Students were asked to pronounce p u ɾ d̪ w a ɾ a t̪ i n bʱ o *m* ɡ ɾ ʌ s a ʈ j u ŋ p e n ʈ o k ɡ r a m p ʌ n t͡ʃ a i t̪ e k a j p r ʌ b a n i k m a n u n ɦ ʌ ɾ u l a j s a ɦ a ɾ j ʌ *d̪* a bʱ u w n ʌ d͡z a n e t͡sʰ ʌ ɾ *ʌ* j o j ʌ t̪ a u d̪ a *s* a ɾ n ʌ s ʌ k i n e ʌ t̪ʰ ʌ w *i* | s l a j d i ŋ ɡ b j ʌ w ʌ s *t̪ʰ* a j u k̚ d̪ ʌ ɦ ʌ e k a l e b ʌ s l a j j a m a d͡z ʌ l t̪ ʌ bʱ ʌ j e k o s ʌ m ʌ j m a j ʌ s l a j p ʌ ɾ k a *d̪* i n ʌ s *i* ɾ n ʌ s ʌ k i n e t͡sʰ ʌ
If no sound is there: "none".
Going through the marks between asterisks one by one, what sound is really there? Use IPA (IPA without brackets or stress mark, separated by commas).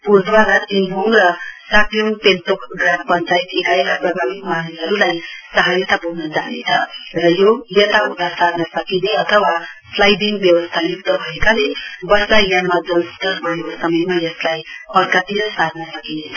ŋ, t̪, ʌ, s, a, t̪ʰ, t̪, a